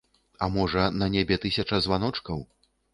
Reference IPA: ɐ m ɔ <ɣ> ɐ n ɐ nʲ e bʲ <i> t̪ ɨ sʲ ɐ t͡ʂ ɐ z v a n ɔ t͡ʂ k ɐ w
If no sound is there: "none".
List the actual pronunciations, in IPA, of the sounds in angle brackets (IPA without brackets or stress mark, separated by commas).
ʐ, ɛ